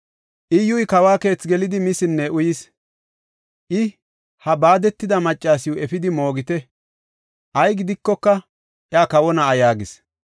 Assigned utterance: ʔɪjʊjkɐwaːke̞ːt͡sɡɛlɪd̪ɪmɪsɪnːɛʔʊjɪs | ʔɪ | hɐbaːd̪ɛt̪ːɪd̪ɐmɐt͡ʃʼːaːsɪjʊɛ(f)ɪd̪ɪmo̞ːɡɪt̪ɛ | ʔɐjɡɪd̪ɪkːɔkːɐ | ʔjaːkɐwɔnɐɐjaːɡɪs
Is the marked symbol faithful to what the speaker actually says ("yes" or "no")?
yes